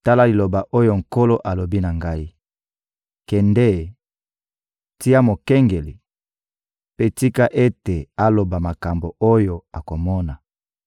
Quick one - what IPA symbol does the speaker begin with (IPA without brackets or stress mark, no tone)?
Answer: t